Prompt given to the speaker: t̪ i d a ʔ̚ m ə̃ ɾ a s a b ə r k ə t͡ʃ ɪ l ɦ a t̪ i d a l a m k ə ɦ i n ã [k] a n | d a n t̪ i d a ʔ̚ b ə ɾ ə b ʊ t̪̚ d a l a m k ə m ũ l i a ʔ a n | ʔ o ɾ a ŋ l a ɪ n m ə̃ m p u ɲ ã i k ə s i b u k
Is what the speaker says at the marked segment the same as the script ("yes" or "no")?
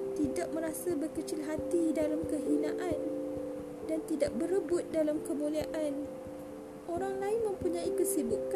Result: no